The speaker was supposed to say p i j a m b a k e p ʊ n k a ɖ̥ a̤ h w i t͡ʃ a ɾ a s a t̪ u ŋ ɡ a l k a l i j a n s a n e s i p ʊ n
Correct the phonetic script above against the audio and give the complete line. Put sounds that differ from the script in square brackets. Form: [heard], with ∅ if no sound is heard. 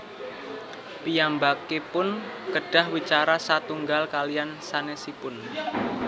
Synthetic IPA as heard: p i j a m b a k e p ʊ n k [ə] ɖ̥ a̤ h w i t͡ʃ a ɾ a s a t̪ u ŋ ɡ a l k a l i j a n s a n e s i p ʊ n